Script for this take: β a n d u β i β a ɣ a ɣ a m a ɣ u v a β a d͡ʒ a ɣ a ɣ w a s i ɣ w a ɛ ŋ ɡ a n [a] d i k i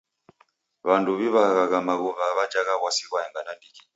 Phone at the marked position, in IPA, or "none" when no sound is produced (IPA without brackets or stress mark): a